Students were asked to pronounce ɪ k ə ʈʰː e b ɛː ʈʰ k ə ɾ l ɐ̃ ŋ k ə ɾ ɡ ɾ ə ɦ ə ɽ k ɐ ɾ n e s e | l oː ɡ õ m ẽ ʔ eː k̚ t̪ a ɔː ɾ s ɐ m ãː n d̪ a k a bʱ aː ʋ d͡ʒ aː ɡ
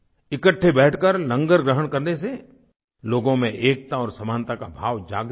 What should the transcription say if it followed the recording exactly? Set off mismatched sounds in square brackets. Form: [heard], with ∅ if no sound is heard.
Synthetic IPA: ɪ k ə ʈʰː e b ɛː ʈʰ k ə ɾ l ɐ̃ ŋ [ɡ] ə ɾ ɡ ɾ ə ɦ ə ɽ k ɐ ɾ n e s e | l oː ɡ õ m ẽ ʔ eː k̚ t̪ a ɔː ɾ s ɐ m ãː n [t̪] a k a bʱ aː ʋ d͡ʒ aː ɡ

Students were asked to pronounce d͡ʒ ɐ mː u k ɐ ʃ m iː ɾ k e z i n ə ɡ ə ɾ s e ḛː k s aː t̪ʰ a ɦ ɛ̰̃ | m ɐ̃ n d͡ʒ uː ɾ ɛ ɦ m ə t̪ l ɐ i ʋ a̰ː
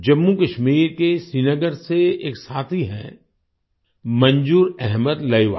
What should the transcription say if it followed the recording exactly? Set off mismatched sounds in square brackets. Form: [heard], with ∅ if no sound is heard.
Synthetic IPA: d͡ʒ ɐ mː u k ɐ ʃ m iː ɾ k e [s] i n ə ɡ ə ɾ s e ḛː k s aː t̪ʰ [i] ɦ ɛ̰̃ | m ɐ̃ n d͡ʒ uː ɾ ɛ ɦ m ə [d̪] l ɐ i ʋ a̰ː

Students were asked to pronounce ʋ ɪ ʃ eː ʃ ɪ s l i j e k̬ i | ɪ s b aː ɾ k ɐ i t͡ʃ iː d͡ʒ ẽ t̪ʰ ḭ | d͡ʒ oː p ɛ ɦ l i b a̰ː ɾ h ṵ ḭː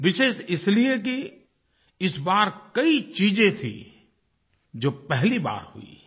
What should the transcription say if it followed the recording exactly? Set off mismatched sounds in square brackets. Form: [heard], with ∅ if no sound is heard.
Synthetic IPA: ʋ ɪ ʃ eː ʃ ɪ s l i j e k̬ i | ɪ s b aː ɾ k ɐ i t͡ʃ iː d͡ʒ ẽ t̪ʰ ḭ | d͡ʒ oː p ɛ ɦ l i b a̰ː ɾ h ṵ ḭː

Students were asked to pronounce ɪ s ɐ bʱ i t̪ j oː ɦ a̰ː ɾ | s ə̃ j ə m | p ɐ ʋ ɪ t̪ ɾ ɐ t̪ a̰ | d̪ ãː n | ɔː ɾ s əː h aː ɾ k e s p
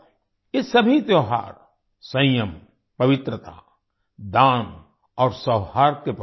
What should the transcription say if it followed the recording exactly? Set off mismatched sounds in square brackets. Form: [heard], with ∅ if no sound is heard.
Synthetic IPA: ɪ s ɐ bʱ i t̪ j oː ɦ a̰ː ɾ | s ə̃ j ə m | p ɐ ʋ ɪ t̪ ɾ [ə] t̪ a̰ | d̪ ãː n | ɔː ɾ s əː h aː ɾ k e [∅] p

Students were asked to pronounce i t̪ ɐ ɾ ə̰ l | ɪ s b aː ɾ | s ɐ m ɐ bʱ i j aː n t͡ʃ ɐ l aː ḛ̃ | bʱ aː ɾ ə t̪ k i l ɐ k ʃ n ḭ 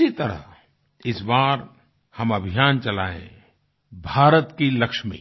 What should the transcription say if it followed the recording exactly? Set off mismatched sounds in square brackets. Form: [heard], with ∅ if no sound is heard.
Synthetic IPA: i t̪ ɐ ɾ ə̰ [∅] | ɪ s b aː ɾ | [h] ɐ m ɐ bʱ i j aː n t͡ʃ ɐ l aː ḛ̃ | bʱ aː ɾ ə t̪ k i l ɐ k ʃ [m] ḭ

